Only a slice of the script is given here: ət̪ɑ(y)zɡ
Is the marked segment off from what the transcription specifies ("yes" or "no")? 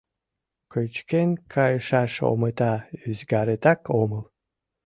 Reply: no